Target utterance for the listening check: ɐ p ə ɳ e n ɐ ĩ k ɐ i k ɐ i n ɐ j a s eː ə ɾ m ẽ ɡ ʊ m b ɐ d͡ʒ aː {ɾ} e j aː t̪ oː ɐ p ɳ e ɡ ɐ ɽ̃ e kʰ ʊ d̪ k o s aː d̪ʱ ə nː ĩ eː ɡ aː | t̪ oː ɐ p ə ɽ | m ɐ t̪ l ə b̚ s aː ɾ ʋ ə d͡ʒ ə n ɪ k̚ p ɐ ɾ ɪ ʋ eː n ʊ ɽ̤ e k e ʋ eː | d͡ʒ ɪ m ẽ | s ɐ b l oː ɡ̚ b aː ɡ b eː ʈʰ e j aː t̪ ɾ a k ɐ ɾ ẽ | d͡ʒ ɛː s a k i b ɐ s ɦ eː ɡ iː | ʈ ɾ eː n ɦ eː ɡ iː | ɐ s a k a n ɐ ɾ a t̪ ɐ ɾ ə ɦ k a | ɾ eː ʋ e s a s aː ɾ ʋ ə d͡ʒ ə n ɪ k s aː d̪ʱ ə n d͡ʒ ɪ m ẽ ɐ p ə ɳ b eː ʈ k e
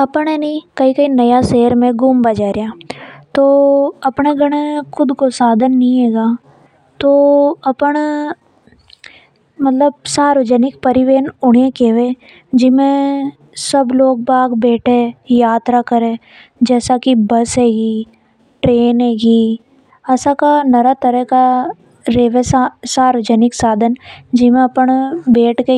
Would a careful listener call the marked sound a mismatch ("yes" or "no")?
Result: no